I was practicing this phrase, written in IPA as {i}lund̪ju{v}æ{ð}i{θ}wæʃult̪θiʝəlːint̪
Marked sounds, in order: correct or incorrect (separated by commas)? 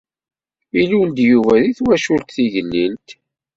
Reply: correct, correct, correct, correct